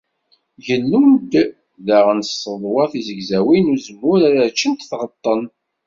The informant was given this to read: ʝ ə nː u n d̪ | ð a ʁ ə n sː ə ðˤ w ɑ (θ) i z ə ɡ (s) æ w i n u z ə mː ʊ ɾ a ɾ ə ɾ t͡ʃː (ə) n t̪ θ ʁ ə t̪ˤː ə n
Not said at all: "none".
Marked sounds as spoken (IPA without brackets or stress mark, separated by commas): θ, z, ə